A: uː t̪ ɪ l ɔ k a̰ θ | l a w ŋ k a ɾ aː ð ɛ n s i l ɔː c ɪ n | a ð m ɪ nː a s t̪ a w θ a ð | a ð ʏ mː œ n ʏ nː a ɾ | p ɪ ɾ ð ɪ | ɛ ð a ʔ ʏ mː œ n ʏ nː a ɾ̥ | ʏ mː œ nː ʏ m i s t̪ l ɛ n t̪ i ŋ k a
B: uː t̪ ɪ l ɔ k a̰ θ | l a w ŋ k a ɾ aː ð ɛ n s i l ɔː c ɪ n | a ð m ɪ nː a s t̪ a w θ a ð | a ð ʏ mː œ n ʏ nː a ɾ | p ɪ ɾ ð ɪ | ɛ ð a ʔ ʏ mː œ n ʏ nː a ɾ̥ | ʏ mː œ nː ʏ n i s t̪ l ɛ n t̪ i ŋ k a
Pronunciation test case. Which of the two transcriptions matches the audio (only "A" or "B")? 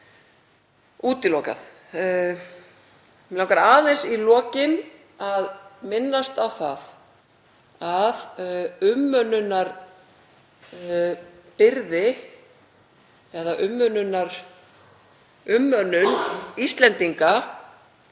B